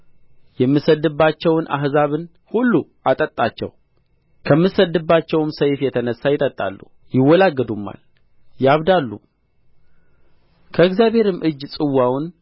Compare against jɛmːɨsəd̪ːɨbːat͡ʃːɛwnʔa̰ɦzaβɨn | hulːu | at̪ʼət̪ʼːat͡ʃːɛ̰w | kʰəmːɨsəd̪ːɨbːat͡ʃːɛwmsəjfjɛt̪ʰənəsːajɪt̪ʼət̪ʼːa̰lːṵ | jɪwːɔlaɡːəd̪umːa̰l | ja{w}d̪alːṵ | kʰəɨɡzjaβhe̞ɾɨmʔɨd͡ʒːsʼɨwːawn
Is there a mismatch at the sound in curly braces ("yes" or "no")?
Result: yes